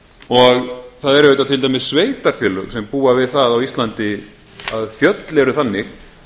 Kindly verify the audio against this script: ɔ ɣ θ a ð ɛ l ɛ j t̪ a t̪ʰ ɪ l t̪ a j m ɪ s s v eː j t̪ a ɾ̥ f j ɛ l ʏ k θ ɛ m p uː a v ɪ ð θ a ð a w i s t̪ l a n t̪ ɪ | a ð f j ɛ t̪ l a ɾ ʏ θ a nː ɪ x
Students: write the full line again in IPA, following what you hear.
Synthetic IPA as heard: ɔ ɣ θ a ð ɛ ɾ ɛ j t̪ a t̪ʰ ɪ l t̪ a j m ɪ s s v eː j t̪ a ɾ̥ f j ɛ l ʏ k s ɛ m p uː a v ɪ ð θ a ð a w i s t̪ l a n t̪ ɪ | a ð f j œ t̪ l ɛ ɾ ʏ θ a nː ɪ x

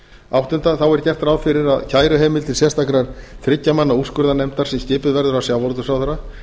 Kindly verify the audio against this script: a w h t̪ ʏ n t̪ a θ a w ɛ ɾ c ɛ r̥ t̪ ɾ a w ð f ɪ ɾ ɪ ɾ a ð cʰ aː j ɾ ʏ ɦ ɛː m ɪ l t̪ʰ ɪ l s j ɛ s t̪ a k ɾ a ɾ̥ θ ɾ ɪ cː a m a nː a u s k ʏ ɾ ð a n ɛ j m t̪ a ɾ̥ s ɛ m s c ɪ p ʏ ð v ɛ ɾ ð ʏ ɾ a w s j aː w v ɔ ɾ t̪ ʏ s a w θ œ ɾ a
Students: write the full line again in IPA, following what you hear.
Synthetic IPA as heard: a w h t̪ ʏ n t̪ a θ a w ɛ ɾ c ɛ r̥ t̪ ɾ a w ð f ɪ ɾ ɪ ɾ a ð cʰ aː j ɾ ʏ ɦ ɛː m ɪ l t̪ʰ ɪ l s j ɛ s t̪ a k ɾ a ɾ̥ θ ɾ ɪ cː a m a nː a u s k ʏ ɾ ð a n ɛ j m t̪ a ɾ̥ s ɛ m s c ɪː p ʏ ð v ɛ ɾ ð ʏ ɾ a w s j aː w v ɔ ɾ t̪ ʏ s a w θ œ ɾ a

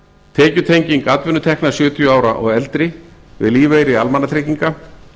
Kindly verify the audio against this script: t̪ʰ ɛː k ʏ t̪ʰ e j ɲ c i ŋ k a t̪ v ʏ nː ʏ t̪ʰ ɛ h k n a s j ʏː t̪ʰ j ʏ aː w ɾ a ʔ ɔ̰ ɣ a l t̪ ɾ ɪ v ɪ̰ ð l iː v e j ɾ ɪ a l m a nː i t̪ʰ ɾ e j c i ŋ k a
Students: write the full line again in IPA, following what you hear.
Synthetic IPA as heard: t̪ʰ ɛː c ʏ t̪ʰ e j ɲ c i ŋ k a t̪ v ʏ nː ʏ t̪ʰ ɛ h k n a s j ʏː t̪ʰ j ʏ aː w ɾ a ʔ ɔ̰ ɣ ɛ l t̪ ɾ ɪ v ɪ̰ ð l iː v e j ɾ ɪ a l m a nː a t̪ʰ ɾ e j c i ŋ k a

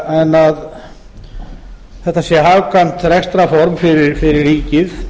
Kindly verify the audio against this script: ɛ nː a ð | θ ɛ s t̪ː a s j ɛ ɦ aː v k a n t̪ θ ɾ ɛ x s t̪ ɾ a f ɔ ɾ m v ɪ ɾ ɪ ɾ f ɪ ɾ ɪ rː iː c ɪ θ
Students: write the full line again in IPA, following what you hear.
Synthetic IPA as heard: ɛ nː a ð | θ ɛ h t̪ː a s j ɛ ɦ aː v k a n t̪ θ ɾ ɛ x s t̪ ɾ a f ɔ ɾ m f ɪ ɾ ɪ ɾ f ɪ ɾ ɪ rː iː c ɪ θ

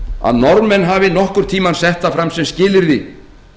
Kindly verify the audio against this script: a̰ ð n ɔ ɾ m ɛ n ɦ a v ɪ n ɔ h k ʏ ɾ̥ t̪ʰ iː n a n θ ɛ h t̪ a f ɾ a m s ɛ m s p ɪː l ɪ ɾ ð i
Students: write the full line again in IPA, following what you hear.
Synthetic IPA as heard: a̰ ð n ɔ ɾ m ɛ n ɦ a v ɪ n ɔ h k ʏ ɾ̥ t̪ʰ iː m a n s ɛ h t̪ a f ɾ a m s ɛ m s c ɪː l ɪ ɾ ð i

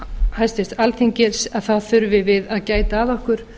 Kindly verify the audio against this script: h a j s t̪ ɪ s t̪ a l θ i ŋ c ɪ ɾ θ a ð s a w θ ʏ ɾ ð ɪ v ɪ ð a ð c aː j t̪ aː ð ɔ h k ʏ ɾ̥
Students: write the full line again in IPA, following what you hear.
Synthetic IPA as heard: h a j s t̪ ɪ s t̪ a l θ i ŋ c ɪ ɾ s a ð θ a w θ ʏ ɾ v ɪ v ɪ ð a ð c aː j t̪ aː ð ɔ h k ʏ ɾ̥

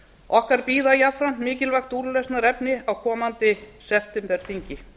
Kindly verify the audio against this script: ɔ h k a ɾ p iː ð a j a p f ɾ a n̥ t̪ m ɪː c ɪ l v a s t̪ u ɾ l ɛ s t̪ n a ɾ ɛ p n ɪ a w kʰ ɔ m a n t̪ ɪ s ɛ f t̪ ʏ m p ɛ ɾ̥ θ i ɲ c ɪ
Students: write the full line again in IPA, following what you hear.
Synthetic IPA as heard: ɔ h k a ɾ p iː ð a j a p f ɾ a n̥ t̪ m ɪː c ɪ l v a x t̪ u ɾ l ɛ s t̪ n a ɾ ɛ p n ɪ a w kʰ ɔː m a n t̪ ɪ s ɛ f t̪ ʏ m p ɛ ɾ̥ θ i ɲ c ɪ

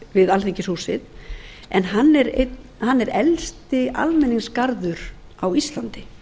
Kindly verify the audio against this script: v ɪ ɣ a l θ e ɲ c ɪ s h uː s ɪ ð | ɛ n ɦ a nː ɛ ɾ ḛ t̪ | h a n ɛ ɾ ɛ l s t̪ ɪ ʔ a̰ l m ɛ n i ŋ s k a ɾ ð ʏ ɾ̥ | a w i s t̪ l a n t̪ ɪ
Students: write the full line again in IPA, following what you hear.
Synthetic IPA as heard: v ɪ ð a l θ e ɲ c ɪ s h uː s ɪ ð | ɛ n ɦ a nː ɛ ɾ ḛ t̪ | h a nː ɛ ɾ ɛ l s t̪ ɪ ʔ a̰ l m ɛ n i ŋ s k a ɾ ð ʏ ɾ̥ | a w i s t̪ l a n t̪ ɪ

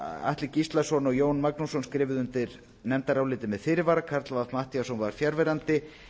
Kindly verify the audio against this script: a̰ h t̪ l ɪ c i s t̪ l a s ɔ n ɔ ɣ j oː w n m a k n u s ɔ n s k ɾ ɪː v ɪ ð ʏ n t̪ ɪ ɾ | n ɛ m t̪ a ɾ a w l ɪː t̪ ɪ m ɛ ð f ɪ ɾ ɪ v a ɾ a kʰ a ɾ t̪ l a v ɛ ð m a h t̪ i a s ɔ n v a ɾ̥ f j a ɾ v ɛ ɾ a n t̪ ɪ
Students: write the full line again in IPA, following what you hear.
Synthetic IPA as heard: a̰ h t̪ l ɪ c i s t̪ l a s ɔ n ɔ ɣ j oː w n m a k n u s ɔ n s k ɾ ɪː v ɪ ð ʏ n t̪ ɪ ɾ | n ɛ m t̪ a ɾ a w l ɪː t̪ ɪ m ɛ ð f ɪ ɾ ɪ v a ɾ a kʰ a ɾ t̪ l a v a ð m a h t̪ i a s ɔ n v a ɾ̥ f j a ɾ v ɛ ɾ a n t̪ ɪ

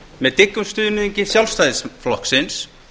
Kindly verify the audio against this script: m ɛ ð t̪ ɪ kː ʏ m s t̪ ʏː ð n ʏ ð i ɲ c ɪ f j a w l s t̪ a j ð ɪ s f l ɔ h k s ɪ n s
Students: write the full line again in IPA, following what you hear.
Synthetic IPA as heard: m ɛ ð t̪ ɪ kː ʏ m s t̪ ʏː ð n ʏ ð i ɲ c ɪ s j a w l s t̪ a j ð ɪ s f l ɔ h k s ɪ n s

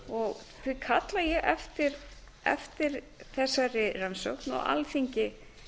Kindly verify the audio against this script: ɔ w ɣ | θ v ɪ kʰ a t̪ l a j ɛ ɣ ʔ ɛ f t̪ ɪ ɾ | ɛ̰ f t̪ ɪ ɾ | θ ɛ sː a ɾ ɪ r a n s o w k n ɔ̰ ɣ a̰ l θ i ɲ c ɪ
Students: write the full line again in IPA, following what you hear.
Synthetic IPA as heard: ɔ ɣ | θ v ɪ kʰ a t̪ l a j ɛ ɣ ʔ ɛ f t̪ ɪ ɾ | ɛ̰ f t̪ ɪ ɾ | θ ɛ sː a ɾ ɪ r a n s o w k n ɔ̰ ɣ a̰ l θ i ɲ c ɪ

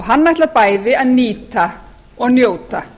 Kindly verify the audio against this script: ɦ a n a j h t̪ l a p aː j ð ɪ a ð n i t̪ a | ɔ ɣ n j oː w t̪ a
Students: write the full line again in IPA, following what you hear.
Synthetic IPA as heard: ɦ a nː a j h t̪ l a p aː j ð ɪ a ð n iː t̪ a | ɔ ɣ n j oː w t̪ a

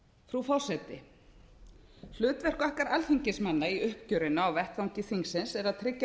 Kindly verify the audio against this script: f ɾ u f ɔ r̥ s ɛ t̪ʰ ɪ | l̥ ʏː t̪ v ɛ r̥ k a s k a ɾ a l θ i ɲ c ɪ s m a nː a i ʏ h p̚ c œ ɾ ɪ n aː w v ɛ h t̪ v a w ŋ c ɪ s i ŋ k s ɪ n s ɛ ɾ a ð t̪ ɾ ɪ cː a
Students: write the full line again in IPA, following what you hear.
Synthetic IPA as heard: f ɾ u f ɔ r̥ s ɛ t̪ ɪ | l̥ ʏː t̪ v ɛ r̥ k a h k a ɾ a l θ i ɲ c ɪ s m a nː a i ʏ h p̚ c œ ɾ ɪ n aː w v ɛ h t̪ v a w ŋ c ɪ θ i ŋ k s ɪ n s ɛ ɾ a ð t̪ʰ ɾ ɪ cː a

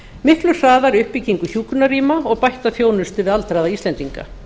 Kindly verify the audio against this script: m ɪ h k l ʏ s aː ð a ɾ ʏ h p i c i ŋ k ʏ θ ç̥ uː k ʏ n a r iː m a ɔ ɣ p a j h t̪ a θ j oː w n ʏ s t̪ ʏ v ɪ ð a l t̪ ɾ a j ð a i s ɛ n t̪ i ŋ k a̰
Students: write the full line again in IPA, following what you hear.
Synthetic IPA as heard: m ɪ h k l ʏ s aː ð a ɾ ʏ h p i c i ŋ k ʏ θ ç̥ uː k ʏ n a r iː m a ɔ ɣ p a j h t̪ a θ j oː w n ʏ s t̪ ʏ v ɪ ð a l t̪ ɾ a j ð a i s ɛ n t̪ i ŋ k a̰

